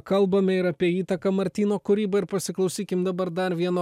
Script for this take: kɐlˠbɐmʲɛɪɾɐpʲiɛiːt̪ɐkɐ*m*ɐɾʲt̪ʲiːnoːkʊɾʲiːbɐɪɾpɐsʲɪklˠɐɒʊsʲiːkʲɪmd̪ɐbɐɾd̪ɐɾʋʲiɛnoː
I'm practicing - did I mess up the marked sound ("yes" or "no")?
no